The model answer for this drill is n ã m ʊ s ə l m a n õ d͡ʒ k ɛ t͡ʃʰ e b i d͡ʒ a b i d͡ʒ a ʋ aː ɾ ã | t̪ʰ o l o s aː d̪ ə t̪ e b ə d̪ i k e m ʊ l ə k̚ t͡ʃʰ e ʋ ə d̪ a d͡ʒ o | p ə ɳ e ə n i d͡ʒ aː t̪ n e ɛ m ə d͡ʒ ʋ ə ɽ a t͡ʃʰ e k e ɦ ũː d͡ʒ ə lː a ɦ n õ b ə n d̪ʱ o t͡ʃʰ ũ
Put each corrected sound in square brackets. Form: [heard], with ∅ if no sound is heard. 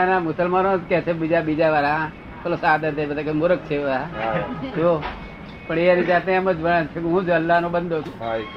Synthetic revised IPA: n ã m ʊ s ə l m a n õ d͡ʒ k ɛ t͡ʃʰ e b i d͡ʒ a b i d͡ʒ a ʋ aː ɾ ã | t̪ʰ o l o s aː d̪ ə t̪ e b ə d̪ [a] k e m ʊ [ɾ] ə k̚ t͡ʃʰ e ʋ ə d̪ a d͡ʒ o | p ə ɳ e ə n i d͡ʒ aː t̪ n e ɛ m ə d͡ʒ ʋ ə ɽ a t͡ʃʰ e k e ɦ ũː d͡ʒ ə lː a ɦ n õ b ə n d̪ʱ o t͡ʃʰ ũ